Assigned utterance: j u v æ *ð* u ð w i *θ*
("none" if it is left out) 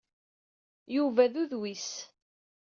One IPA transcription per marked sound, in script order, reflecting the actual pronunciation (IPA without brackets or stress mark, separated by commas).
ð, s